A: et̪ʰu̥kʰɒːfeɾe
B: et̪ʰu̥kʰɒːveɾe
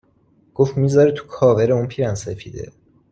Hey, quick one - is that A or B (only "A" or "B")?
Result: B